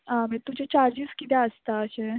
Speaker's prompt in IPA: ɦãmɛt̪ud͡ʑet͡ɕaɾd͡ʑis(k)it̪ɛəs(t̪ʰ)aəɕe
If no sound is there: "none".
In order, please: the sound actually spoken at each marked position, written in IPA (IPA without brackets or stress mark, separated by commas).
k, t̪